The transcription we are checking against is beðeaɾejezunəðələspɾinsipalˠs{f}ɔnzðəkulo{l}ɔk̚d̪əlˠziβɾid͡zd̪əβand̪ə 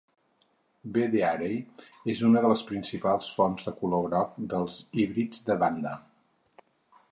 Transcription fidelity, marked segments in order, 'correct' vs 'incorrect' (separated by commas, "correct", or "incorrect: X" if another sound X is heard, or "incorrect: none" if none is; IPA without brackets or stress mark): correct, incorrect: ɾ